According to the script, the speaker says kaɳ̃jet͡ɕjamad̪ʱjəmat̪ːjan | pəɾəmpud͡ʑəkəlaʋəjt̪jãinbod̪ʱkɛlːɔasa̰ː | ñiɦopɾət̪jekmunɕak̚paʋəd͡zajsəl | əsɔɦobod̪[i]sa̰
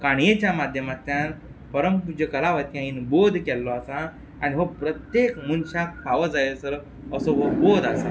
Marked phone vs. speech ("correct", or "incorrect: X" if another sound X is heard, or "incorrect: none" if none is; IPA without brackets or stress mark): incorrect: a